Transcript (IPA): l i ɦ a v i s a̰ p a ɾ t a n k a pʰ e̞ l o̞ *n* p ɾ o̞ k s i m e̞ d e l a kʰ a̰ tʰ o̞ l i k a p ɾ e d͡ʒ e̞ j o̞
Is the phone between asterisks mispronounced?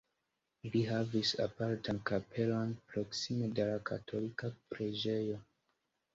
no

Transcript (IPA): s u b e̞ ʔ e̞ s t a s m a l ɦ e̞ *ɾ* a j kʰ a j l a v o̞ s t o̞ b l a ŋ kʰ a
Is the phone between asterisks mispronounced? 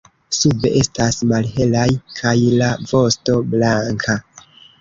yes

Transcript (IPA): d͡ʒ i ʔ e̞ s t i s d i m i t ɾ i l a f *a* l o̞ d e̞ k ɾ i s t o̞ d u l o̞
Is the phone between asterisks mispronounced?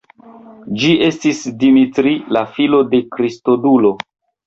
yes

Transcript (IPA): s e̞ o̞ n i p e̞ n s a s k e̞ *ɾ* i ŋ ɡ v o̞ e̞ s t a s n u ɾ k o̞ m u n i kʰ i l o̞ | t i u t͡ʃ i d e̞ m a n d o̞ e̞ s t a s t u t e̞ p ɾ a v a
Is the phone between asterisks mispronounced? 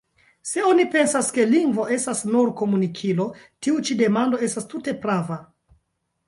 yes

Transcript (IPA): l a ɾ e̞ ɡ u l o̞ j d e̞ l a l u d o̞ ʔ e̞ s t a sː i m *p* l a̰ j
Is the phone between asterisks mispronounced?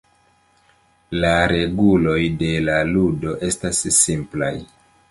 no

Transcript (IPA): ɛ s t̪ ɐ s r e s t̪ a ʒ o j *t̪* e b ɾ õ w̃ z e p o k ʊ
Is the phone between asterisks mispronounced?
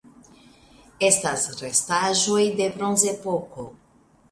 yes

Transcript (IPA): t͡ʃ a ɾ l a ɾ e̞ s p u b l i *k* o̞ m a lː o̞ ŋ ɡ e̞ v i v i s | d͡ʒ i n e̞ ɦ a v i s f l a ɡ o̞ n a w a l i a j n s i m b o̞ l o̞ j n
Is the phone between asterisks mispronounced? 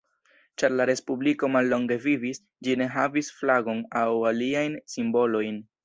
no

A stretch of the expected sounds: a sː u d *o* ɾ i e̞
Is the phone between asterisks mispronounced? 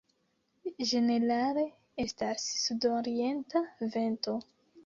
no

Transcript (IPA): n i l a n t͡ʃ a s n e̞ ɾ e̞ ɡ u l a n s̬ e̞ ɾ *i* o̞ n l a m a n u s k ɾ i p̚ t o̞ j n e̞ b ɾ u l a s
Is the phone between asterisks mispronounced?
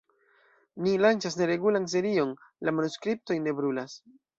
no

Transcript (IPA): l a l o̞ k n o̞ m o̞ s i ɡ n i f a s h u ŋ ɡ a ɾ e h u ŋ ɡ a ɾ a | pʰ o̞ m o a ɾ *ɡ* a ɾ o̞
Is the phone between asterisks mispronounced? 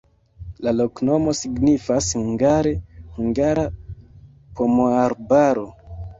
yes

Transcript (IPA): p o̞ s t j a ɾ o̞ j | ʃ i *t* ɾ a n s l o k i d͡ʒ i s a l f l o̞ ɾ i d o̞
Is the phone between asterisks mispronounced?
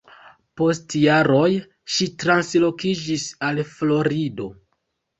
no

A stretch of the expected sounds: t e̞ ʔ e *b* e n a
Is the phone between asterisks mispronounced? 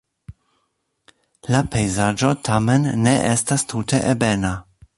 no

